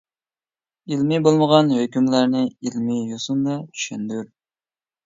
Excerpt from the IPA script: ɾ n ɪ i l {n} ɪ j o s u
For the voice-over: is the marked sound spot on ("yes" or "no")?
no